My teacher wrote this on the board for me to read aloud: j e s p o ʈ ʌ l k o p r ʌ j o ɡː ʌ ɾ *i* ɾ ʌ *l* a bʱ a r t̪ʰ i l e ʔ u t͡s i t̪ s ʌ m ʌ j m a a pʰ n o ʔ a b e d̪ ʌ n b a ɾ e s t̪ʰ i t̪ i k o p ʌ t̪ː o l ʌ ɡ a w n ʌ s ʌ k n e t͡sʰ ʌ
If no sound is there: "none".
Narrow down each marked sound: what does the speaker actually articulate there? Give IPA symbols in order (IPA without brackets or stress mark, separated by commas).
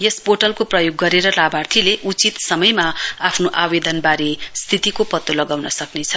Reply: e, l